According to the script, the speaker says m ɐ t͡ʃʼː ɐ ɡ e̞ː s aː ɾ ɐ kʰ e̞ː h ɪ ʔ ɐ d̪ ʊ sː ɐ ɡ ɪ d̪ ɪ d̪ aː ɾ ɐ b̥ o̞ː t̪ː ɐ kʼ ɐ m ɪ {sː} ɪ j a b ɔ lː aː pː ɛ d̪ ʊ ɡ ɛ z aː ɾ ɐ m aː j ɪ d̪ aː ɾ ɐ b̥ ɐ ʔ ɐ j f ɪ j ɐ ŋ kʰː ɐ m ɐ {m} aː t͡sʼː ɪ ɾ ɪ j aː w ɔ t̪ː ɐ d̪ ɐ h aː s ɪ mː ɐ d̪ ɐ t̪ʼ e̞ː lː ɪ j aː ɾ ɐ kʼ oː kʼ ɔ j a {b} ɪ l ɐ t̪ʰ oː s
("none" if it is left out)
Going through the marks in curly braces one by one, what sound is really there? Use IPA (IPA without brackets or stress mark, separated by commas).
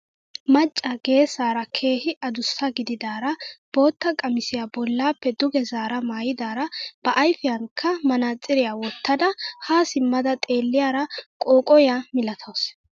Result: s, n, m